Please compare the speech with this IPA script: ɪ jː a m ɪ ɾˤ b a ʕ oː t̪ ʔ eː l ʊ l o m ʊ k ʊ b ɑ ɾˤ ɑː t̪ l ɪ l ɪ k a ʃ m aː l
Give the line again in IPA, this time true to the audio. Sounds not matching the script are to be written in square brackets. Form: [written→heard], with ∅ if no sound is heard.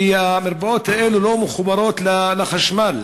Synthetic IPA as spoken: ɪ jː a m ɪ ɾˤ b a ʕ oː t̪ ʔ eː l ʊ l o m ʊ [k→x] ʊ b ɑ ɾˤ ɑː t̪ l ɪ l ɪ [k→x] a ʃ m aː l